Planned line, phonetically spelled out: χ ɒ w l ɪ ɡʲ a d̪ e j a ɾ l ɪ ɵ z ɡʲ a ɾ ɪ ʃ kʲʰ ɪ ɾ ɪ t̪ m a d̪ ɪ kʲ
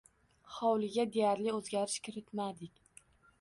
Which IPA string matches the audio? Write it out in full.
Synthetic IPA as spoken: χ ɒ w l ɪ ɡʲ a d̪ e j a ɾ l ɪ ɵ z ɡʲ a ɾ ɪ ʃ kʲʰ ɪ ɾ ɪ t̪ m a d̪ ɪ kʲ